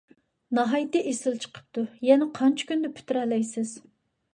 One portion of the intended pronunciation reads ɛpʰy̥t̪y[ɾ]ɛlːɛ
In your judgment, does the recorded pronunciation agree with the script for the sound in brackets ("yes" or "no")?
yes